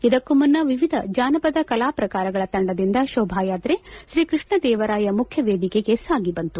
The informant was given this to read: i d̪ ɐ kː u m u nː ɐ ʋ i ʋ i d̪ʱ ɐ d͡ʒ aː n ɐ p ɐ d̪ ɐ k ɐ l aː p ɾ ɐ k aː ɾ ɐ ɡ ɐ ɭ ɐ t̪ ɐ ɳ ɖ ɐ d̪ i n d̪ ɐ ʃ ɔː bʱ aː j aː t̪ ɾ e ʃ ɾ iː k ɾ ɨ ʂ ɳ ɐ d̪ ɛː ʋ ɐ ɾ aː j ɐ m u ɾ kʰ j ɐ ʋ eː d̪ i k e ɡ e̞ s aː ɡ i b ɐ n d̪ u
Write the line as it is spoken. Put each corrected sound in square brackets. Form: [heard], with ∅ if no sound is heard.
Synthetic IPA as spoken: i d̪ ɐ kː u m u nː ɐ ʋ i ʋ i d̪ʱ ɐ d͡ʒ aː n ɐ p ɐ d̪ ɐ k ɐ l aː p ɾ ɐ k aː ɾ ɐ ɡ ɐ ɭ ɐ t̪ ɐ ɳ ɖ ɐ d̪ i n d̪ ɐ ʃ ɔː bʱ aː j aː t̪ ɾ e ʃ ɾ iː k ɾ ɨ ʂ ɳ ɐ d̪ ɛː ʋ ɐ ɾ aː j ɐ m u [∅] kʰ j ɐ ʋ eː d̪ i k e ɡ e̞ s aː ɡ i b ɐ n [t̪] u